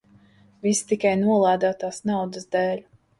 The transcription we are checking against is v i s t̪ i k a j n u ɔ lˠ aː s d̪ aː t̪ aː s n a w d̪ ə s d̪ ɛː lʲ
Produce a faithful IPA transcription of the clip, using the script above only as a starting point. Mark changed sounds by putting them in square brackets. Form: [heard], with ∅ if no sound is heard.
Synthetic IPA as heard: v i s t̪ i k a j n u ɔ lˠ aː [∅] d̪ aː t̪ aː s n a w d̪ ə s d̪ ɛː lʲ